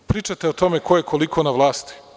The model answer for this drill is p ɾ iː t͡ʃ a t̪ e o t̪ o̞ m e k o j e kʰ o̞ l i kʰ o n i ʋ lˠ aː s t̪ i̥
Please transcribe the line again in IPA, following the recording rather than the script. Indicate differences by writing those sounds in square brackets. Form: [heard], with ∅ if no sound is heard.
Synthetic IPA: p ɾ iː t͡ʃ a t̪ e o t̪ o̞ m e k o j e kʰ o̞ l i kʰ o n [a] ʋ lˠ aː s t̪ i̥